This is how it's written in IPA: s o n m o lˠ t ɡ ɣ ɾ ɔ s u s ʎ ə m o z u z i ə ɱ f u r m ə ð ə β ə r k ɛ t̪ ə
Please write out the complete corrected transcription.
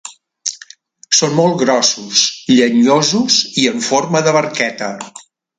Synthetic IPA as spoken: s o n m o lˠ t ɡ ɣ ɾ ɔ s u s ʎ ə ɲ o z u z i ə ɱ f o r m ə ð ə β ə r k ɛ t̪ ə

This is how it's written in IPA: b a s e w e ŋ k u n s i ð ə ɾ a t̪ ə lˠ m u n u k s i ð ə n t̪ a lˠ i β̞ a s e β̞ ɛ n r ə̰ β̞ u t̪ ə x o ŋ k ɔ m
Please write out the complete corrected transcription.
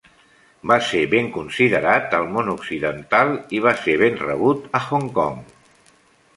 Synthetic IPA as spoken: b a s e β e ŋ k u n s i ð ə ɾ a t̪ ə lˠ m o n u k s i ð ə n t̪ a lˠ i β̞ a s e β̞ e n r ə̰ β̞ u t̪ ə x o ŋ k ɔ ŋ

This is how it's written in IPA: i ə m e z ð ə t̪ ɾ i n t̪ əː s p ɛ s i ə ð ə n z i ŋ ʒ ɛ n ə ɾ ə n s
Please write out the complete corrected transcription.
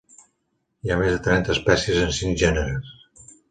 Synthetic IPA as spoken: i a m e z ð ə t̪ ɾ ɛ n t̪ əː s p ɛ s i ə z ə n s i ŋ ʒ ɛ n ə ɾ ə s

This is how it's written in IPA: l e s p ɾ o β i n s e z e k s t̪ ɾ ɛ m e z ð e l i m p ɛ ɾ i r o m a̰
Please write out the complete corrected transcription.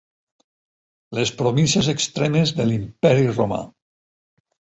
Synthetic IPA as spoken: l e s p ɾ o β i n s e z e k s t̪ ɾ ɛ m e z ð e l i m p ɛ ɾ i r o m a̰

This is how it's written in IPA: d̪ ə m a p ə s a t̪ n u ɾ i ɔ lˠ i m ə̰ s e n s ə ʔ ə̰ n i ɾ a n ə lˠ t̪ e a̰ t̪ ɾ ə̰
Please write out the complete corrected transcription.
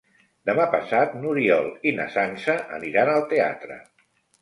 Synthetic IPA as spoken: d̪ ə m a p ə s a t̪ n u ɾ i ɔ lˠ i n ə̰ s a n s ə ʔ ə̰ n i ɾ a n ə lˠ t̪ e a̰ t̪ ɾ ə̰

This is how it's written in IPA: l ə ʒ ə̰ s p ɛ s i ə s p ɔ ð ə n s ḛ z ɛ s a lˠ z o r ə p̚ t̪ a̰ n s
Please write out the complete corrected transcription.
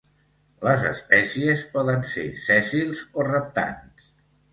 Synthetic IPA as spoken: l ə z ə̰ s p ɛ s i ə s p ɔ ð ə n s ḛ s ɛ s i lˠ z o r ə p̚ t̪ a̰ n s

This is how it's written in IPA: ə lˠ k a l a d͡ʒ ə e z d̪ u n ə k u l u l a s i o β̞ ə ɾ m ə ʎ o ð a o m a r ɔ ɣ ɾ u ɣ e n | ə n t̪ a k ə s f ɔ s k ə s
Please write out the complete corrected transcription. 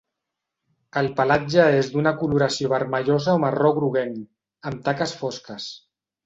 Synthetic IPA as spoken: ə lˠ p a l a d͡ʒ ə e z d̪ u n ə k u l u ɾ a s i o β̞ ə ɾ m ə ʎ o z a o m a r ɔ ɣ ɾ u ɣ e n | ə m t̪ a k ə s f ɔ s k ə s

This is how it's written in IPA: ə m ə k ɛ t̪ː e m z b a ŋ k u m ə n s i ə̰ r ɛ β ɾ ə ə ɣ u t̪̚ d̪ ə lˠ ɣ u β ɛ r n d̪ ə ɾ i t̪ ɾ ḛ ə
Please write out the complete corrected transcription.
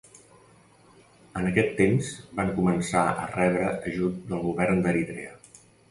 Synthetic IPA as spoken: ə n ə k ɛ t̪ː e m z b a ŋ k u m ə n s a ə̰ r ɛ β ɾ ə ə ʒ u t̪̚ d̪ ə lˠ ɣ u β ɛ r n d̪ ə ɾ i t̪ ɾ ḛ ə

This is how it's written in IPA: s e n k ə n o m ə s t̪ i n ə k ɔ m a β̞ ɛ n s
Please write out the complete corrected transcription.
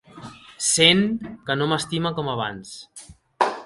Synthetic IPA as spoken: s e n k ə n o m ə s t̪ i m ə k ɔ m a β̞ a n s

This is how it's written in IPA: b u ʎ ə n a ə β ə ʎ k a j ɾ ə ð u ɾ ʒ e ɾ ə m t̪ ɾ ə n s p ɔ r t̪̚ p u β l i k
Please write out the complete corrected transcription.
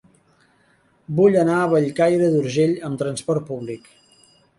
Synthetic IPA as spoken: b u ʎ ə n a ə β ə ʎ k a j ɾ ə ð u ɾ ʒ e ʎ ə m t̪ ɾ ə n s p ɔ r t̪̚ p u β l i k

